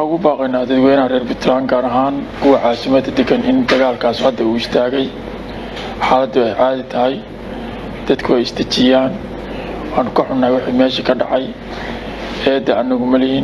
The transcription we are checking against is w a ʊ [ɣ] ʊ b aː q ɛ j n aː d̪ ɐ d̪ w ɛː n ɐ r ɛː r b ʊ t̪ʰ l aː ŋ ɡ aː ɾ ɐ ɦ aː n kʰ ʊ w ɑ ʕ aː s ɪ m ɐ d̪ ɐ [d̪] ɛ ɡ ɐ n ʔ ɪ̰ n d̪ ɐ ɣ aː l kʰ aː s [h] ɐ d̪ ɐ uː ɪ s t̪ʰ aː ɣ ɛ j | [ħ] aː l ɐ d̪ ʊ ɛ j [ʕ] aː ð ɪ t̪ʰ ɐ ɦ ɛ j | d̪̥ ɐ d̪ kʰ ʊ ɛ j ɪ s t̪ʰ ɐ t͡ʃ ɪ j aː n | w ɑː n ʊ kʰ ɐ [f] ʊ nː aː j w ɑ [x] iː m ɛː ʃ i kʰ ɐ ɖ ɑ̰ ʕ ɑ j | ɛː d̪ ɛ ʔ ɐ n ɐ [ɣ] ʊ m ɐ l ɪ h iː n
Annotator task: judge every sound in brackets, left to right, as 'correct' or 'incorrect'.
correct, correct, correct, correct, correct, incorrect: ħ, incorrect: ħ, correct

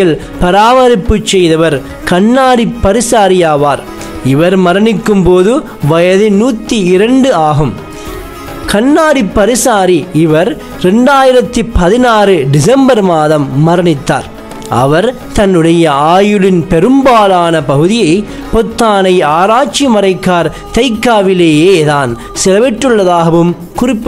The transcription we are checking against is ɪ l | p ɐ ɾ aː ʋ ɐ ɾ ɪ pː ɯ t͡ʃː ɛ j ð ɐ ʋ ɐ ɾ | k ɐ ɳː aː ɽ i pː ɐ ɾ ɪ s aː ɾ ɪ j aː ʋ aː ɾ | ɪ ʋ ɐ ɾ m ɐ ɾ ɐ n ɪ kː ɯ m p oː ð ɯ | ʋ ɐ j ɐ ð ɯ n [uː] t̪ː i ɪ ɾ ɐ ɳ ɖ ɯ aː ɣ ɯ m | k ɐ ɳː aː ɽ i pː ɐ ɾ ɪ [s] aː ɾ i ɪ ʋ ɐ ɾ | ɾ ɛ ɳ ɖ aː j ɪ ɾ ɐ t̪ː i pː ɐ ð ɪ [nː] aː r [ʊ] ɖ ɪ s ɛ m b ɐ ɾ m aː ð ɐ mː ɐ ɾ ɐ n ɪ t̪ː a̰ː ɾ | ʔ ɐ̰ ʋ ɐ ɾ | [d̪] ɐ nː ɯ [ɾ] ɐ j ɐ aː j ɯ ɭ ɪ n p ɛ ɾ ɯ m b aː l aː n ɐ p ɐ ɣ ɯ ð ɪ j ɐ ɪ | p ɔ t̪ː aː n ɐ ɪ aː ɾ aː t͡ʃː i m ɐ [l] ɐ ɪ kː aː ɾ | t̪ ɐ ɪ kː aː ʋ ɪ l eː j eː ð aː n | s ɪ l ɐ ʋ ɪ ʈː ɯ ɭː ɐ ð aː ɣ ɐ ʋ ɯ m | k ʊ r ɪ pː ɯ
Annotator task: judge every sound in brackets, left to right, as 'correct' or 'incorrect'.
correct, correct, incorrect: n, incorrect: ɯ, incorrect: t̪, incorrect: ɽ, incorrect: ɾ

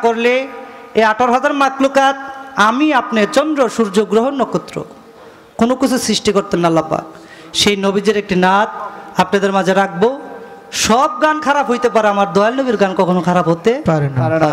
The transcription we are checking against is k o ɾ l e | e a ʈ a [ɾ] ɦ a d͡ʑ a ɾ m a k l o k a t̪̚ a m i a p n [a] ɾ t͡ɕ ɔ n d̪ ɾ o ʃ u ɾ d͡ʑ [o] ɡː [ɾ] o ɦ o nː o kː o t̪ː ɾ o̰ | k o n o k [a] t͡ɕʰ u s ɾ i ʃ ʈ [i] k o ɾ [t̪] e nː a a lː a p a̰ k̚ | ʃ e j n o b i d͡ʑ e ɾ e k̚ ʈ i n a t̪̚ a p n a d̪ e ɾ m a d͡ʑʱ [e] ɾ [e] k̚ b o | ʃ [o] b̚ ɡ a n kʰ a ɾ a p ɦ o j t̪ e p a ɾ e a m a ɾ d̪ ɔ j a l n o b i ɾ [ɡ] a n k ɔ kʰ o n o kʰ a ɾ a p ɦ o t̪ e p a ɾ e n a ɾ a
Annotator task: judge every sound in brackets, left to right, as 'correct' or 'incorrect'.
correct, incorrect: e, correct, correct, incorrect: i, correct, correct, correct, incorrect: a, incorrect: ɔ, correct

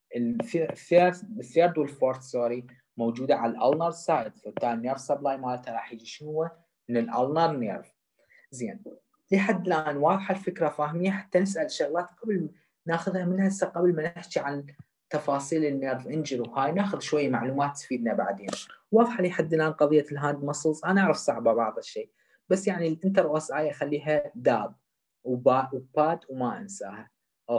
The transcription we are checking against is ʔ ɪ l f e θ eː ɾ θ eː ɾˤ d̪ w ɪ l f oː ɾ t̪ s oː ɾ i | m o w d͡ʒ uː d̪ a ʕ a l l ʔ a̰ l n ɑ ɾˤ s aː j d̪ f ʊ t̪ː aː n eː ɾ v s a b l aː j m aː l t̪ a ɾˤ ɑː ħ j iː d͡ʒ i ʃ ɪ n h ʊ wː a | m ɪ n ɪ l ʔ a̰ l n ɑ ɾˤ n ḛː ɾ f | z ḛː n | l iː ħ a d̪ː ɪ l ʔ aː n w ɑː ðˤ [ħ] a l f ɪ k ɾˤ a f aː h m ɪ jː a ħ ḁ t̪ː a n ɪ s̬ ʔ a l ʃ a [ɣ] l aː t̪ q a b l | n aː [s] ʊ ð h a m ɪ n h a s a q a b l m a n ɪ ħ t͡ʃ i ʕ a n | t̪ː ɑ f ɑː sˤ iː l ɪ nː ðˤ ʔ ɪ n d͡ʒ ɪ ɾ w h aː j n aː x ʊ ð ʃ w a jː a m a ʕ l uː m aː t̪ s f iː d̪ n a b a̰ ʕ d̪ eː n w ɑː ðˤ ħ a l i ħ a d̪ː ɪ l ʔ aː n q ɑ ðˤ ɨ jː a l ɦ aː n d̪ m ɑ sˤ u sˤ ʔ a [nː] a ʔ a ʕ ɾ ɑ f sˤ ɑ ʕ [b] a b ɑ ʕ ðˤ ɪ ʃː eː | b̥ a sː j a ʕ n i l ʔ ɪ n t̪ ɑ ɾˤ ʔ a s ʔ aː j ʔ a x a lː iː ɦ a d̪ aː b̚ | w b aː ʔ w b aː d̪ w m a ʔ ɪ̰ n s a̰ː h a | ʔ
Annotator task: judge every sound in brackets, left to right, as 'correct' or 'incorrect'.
correct, correct, incorrect: x, incorrect: n, correct

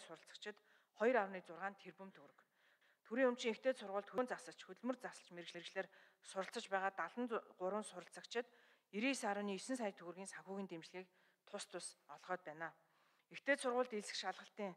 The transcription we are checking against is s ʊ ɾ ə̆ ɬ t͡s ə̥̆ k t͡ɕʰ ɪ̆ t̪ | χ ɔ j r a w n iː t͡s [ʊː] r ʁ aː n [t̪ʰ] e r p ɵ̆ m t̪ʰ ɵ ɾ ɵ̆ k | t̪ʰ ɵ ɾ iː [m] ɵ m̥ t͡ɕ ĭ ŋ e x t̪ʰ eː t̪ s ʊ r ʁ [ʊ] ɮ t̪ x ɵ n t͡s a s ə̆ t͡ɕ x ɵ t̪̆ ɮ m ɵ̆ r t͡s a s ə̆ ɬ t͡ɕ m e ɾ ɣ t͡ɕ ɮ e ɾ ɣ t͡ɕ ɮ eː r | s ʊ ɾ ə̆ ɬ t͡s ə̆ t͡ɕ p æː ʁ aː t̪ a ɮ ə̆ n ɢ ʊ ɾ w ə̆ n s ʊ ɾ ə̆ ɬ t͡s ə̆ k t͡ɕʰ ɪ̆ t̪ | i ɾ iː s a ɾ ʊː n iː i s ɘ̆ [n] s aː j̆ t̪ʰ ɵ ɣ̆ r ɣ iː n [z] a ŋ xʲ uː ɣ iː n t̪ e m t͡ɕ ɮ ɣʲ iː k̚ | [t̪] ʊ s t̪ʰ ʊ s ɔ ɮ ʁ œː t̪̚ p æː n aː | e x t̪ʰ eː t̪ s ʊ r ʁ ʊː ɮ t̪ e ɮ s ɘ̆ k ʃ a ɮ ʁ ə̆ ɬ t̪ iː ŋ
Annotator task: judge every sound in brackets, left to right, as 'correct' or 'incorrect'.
incorrect: ʊ, correct, incorrect: ŋ, incorrect: ʊː, correct, incorrect: s, incorrect: t̪ʰ

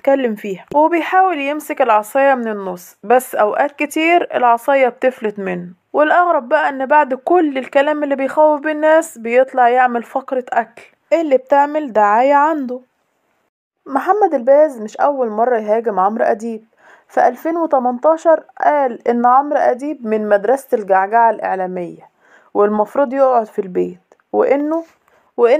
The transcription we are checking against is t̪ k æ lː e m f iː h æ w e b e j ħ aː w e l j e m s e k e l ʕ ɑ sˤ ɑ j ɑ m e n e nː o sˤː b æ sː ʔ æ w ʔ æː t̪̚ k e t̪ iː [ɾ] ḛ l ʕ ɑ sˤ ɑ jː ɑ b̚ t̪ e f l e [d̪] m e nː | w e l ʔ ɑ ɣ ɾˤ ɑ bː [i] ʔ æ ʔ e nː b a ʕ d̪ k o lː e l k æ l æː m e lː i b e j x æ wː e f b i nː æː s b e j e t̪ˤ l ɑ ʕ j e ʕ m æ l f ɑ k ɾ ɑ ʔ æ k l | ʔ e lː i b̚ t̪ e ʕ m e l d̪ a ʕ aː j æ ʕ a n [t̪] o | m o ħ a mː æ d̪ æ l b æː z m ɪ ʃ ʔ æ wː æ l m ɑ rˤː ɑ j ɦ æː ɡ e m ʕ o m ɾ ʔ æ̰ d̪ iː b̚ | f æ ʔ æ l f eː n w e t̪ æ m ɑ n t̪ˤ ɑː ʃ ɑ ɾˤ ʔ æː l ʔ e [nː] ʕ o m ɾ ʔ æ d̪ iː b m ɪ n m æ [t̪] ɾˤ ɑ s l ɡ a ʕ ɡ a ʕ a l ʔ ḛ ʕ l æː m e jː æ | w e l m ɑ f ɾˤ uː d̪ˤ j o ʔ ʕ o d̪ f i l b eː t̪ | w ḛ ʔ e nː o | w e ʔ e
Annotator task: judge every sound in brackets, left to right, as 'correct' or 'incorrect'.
correct, incorrect: t̪, incorrect: æ, incorrect: d̪, correct, incorrect: d̪

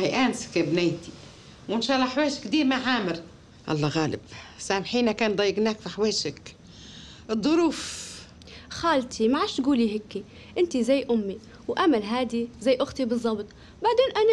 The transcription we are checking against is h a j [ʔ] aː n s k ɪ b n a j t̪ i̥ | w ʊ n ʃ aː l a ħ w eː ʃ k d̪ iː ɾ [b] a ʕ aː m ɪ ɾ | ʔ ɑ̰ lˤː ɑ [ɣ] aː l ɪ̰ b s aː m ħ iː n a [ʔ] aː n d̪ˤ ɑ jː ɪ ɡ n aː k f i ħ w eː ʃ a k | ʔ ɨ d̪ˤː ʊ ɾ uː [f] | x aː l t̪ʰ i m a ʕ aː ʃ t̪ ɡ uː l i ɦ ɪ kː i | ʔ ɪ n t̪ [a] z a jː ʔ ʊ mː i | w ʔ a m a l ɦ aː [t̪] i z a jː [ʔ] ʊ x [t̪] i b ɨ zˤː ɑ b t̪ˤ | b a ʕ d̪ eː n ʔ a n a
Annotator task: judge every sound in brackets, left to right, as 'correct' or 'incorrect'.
correct, incorrect: m, correct, incorrect: k, correct, incorrect: i, incorrect: d̪, correct, correct

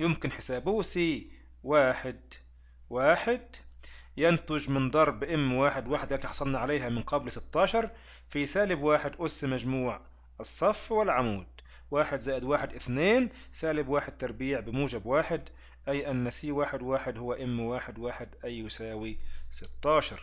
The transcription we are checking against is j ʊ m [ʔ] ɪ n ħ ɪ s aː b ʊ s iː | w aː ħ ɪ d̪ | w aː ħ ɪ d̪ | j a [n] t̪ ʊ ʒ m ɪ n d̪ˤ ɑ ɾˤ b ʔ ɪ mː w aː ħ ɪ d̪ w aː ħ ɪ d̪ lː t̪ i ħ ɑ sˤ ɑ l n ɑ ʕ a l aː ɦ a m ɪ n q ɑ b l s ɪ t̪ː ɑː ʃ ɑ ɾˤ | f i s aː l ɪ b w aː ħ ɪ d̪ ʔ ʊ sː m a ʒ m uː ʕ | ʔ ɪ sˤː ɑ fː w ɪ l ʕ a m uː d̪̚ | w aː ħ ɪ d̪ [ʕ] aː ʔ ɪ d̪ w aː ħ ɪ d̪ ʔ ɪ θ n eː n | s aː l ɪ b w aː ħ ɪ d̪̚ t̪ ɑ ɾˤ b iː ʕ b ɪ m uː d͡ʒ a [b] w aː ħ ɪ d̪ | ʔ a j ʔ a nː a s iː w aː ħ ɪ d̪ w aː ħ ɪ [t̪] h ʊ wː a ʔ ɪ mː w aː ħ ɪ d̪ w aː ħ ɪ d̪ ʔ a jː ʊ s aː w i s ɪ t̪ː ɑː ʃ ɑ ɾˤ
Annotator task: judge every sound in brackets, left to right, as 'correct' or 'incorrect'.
incorrect: k, correct, incorrect: z, correct, incorrect: d̪

